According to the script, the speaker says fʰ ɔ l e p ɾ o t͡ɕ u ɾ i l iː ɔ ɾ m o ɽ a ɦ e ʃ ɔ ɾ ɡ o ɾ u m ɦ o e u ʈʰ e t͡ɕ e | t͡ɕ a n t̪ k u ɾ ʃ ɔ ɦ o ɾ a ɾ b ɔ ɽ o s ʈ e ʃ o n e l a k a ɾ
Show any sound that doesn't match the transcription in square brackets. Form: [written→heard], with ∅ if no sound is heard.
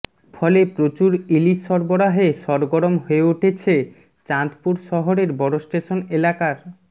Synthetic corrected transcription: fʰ ɔ l e p ɾ o t͡ɕ u ɾ i l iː ɔ ɾ [m→b] o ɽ a ɦ e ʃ ɔ ɾ ɡ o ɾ [u→o] m ɦ o e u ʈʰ e [t͡ɕ→t͡ɕʰ] e | t͡ɕ a n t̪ [k→p] u ɾ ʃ ɔ ɦ o ɾ [a→e] ɾ b ɔ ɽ o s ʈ e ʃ o n e l a k a ɾ